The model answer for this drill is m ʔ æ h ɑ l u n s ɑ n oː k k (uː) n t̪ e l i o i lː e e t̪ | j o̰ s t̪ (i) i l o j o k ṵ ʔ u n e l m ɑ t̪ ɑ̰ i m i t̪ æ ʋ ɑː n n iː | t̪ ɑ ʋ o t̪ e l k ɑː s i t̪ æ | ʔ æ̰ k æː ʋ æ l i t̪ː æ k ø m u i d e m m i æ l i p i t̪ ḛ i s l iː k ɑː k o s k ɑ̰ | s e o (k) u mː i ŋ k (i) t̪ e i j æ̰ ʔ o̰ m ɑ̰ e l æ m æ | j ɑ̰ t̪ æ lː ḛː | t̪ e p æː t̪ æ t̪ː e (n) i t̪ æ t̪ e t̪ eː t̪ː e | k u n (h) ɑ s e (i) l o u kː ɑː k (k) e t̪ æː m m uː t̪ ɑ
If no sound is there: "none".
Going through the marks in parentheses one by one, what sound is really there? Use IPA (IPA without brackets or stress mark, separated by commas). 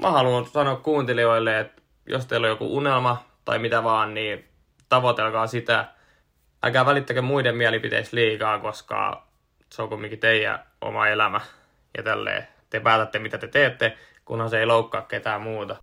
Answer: uː, e, k, i, m, h, i, k